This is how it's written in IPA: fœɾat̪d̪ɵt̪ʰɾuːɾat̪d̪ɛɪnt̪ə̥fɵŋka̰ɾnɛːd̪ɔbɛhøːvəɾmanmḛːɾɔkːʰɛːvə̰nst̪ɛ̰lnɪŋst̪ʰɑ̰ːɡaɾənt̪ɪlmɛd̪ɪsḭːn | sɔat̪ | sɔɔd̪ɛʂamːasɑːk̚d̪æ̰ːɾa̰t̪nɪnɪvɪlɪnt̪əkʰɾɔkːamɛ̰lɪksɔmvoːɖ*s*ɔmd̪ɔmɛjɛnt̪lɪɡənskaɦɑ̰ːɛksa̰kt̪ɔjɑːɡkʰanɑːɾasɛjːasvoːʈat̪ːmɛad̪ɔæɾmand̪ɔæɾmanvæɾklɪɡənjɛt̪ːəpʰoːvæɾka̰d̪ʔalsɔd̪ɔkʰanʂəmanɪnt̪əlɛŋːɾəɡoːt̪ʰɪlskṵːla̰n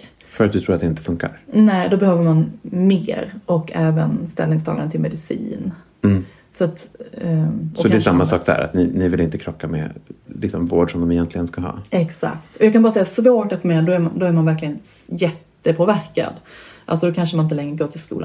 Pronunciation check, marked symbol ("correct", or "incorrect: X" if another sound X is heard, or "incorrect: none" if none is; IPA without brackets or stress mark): incorrect: ʂ